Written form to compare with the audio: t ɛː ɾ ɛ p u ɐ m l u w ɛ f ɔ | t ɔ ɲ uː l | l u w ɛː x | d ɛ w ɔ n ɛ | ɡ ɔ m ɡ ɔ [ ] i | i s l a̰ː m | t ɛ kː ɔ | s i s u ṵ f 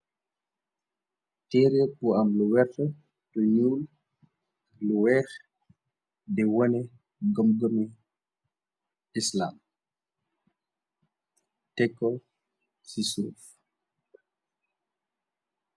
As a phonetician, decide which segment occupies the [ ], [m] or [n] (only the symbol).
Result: m